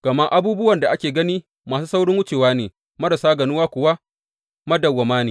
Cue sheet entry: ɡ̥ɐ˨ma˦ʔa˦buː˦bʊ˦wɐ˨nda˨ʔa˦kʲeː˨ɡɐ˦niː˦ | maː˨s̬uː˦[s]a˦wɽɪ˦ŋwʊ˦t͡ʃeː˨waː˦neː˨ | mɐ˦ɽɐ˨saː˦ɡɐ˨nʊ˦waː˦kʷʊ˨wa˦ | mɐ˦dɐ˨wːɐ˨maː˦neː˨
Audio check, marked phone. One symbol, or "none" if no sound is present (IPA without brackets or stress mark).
s